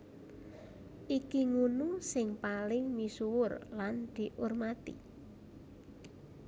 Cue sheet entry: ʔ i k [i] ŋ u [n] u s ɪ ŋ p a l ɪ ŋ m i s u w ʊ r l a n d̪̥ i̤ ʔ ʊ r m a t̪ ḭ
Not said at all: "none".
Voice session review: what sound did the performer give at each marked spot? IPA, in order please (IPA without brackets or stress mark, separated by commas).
i, n